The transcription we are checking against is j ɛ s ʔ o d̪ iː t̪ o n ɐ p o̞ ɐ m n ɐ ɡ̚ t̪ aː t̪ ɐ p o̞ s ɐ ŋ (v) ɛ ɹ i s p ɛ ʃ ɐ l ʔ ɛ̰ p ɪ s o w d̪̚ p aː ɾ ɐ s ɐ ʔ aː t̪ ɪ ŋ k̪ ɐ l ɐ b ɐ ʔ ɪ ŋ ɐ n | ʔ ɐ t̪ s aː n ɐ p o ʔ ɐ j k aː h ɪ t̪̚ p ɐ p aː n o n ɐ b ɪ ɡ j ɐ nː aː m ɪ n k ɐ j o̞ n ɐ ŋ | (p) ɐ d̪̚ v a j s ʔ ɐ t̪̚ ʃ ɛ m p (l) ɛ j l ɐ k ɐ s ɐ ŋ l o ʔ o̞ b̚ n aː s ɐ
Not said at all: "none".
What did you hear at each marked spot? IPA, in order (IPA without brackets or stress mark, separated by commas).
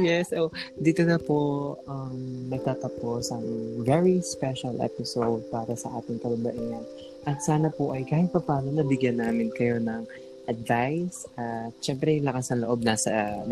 v, ʔ, ɾ